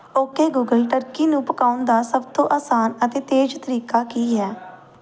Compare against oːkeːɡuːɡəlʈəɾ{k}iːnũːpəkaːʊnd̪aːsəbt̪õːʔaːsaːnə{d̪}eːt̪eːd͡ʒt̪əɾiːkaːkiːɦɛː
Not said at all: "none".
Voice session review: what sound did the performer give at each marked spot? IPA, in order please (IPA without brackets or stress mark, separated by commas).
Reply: k, t̪